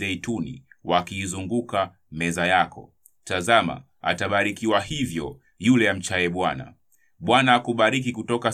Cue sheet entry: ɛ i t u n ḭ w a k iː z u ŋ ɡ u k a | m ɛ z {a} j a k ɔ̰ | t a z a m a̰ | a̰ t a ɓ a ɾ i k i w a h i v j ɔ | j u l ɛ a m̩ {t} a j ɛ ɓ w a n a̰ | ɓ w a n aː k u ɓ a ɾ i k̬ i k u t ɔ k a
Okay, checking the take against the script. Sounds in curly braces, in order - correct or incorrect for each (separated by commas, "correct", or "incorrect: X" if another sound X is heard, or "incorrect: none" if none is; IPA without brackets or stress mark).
correct, incorrect: t͡ʃ